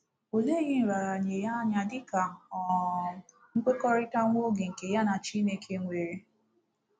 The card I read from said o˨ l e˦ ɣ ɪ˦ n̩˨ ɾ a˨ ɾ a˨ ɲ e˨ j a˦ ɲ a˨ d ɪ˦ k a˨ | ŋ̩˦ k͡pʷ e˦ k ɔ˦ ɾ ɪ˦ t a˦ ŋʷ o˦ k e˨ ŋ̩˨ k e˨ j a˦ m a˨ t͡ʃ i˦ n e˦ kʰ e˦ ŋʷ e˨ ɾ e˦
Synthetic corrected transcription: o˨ l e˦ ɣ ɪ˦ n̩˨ ɾ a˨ ɾ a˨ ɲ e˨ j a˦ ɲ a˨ d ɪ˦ k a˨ | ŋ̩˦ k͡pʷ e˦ k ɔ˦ ɾ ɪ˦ t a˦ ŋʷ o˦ ɡ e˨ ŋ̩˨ k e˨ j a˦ n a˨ t͡ʃ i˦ n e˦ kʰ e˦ ŋʷ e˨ ɾ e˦